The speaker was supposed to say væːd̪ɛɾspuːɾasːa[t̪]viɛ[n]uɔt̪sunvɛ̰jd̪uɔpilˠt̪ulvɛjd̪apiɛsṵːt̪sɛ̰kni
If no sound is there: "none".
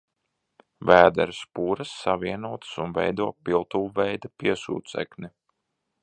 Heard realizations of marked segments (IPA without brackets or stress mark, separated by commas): none, n